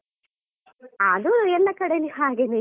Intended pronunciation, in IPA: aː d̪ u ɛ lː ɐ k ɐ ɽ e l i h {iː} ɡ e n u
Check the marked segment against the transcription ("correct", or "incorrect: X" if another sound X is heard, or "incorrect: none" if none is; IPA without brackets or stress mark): incorrect: aː